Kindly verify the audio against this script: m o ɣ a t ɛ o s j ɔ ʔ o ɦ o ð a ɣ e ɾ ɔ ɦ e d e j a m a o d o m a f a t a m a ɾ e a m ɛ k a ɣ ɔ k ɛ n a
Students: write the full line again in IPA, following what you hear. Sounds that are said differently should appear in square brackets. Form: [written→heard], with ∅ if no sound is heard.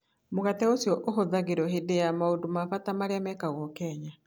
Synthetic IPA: m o ɣ a t ɛ o s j ɔ ʔ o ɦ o ð a ɣ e ɾ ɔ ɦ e d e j a m a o d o m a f a t a m a ɾ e a m ɛ k a ɣ ɔ k ɛ [n→ɲ] a